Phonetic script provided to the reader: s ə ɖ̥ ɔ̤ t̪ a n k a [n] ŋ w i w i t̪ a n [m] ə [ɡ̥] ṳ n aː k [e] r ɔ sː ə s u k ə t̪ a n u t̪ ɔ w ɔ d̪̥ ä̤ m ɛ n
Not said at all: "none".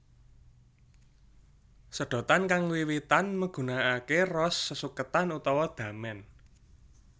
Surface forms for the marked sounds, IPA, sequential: none, m, ɡ̥, e

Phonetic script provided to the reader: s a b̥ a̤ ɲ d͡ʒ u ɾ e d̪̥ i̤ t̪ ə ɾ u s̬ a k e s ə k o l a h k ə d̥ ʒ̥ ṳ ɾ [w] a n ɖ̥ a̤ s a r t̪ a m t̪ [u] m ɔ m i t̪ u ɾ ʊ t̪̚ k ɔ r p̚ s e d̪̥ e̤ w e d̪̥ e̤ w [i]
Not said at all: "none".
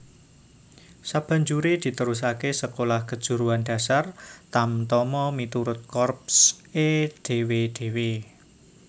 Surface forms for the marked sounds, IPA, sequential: u, ɔ, e

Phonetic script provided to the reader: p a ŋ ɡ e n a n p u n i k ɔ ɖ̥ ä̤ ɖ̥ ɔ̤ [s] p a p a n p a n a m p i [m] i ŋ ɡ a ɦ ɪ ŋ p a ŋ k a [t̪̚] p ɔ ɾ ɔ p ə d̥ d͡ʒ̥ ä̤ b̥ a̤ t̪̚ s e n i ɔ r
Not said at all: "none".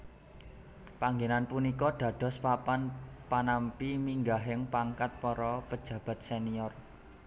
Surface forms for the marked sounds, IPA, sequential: s, m, t̪̚

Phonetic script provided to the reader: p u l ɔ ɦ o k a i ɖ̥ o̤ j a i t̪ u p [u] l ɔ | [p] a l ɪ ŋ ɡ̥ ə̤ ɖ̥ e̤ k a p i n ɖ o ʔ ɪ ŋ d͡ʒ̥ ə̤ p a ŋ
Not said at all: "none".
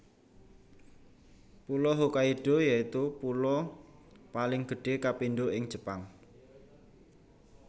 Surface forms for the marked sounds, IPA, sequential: u, p

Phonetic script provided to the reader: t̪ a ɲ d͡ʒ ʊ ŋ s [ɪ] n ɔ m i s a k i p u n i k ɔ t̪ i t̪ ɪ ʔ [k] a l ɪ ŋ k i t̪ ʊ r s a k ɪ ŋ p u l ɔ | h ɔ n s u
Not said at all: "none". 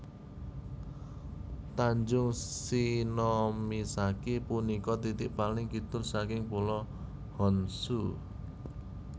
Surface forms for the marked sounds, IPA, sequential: i, p

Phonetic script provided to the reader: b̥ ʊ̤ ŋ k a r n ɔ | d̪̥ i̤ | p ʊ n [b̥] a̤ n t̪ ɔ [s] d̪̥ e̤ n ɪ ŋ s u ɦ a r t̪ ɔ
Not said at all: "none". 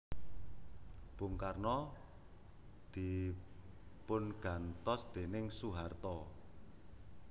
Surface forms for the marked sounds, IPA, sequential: ɡ̥, s

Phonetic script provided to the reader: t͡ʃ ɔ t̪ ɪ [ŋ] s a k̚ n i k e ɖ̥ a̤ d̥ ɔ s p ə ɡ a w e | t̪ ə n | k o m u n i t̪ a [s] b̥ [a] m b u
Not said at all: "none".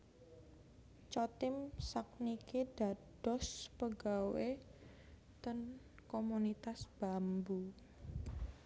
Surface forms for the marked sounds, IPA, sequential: m, s, a

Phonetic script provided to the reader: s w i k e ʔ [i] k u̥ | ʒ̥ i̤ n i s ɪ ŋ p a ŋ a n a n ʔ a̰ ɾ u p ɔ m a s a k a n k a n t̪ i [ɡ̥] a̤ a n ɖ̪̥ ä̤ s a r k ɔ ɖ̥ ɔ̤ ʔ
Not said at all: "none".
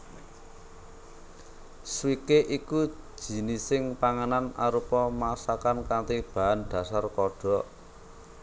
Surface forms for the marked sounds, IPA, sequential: i, b̥

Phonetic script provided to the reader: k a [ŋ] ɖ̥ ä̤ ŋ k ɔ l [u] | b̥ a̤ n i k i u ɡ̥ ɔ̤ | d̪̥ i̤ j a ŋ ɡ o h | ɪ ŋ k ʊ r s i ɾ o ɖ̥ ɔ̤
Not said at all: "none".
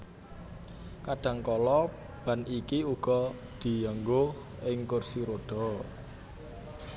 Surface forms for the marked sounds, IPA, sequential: none, ɔ

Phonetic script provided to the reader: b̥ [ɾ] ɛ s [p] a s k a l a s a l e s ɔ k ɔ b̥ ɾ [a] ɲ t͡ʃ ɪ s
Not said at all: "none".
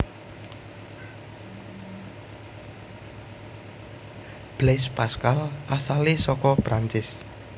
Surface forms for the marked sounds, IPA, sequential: l, p, a

